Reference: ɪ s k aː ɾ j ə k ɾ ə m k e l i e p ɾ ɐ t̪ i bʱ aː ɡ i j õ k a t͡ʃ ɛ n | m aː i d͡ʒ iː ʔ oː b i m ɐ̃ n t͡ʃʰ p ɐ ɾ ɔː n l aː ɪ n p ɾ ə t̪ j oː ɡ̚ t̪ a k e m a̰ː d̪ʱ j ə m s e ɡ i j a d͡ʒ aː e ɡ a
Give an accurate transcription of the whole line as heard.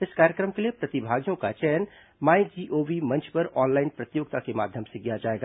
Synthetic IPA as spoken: ɪ s k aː ɾ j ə k ɾ ə m k e l i e p ɾ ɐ t̪ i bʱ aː ɡ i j õ k a t͡ʃ ɛ n | m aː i d͡ʒ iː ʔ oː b i m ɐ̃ n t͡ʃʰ p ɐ ɾ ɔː n l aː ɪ n p ɾ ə t̪ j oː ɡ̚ t̪ a k e m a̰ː d̪ʱ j ə m s e ɡ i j a d͡ʒ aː e ɡ a